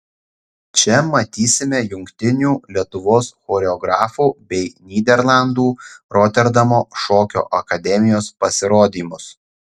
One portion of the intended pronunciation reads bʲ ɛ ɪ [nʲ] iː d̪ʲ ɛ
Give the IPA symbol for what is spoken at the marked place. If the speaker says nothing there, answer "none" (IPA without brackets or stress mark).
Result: nʲ